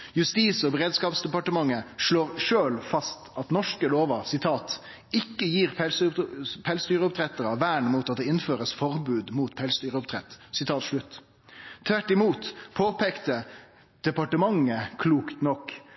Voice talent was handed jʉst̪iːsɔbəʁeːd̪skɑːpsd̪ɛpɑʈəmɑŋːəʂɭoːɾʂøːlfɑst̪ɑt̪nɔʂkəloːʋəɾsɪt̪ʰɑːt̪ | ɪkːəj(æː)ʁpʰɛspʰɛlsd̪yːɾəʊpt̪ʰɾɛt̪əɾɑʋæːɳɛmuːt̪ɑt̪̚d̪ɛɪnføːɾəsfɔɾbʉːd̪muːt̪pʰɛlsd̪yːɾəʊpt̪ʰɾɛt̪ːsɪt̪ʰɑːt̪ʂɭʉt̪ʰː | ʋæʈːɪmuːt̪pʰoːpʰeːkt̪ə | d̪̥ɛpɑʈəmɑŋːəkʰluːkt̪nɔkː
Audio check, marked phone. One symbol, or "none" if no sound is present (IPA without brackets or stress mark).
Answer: iː